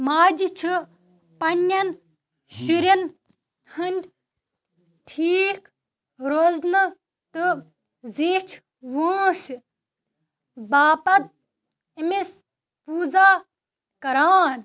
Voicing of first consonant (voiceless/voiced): voiced